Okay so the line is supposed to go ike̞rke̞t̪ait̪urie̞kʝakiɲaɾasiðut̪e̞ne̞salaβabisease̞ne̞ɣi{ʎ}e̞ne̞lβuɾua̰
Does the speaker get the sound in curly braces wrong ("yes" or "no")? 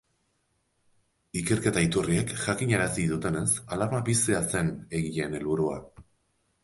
no